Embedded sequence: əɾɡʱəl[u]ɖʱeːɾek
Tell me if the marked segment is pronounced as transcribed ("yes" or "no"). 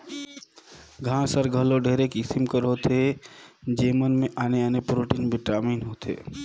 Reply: no